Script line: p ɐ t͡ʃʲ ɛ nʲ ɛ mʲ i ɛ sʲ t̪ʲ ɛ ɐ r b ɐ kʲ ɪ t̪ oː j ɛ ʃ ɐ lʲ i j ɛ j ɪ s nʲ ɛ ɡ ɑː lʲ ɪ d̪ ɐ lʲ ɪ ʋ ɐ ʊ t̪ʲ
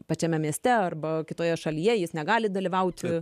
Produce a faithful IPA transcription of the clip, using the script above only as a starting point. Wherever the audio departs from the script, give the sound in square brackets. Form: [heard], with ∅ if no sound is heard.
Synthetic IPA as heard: p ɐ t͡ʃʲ ɛ [mʲ] ɛ mʲ i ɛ sʲ t̪ʲ ɛ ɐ r b ɐ kʲ ɪ t̪ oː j ɛ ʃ ɐ lʲ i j ɛ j ɪ s nʲ ɛ ɡ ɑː lʲ ɪ d̪ ɐ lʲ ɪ ʋ ɐ ʊ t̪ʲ